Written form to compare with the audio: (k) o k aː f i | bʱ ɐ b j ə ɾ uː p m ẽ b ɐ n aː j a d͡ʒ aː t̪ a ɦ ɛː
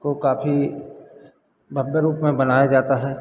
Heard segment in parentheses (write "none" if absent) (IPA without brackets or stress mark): k